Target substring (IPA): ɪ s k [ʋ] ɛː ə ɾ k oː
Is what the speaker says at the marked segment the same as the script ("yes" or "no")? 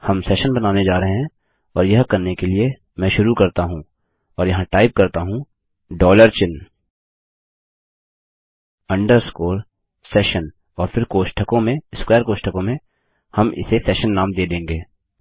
no